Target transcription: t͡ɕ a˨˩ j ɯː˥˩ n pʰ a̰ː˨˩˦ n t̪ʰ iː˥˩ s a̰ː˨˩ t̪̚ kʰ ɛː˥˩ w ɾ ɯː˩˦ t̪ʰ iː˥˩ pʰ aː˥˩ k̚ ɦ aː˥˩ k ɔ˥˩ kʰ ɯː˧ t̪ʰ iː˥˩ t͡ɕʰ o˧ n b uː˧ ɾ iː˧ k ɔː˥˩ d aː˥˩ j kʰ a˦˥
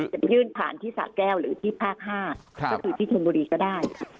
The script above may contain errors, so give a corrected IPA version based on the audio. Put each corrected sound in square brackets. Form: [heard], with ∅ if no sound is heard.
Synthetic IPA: t͡ɕ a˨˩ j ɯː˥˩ n pʰ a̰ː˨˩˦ n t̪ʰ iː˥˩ s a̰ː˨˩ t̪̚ [k] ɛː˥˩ w ɾ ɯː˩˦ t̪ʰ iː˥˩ pʰ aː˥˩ k̚ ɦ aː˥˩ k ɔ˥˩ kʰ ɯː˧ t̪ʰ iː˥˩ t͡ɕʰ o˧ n b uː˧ ɾ iː˧ k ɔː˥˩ d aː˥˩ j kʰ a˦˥